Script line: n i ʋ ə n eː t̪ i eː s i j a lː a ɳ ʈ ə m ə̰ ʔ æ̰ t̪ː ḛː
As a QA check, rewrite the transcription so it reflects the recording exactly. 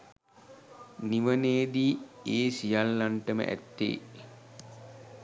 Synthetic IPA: n i ʋ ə n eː d̪ i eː s i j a lː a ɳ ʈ ə m ə̰ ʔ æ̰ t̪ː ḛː